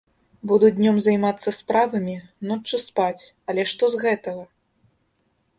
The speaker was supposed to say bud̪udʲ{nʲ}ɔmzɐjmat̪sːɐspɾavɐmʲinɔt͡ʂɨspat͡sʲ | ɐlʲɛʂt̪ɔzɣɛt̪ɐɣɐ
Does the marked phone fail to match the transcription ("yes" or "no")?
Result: no